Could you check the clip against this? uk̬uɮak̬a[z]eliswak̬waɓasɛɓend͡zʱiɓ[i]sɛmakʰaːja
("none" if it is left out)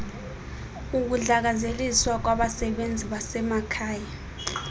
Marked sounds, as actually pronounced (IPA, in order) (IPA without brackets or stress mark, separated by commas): z, a